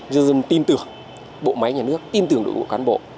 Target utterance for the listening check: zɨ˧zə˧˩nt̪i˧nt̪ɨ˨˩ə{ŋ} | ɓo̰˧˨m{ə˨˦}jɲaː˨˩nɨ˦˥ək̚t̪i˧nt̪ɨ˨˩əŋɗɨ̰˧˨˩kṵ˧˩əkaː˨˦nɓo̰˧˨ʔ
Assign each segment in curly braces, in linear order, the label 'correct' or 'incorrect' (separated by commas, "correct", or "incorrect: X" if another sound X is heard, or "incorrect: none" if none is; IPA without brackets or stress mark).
correct, incorrect: a˨˦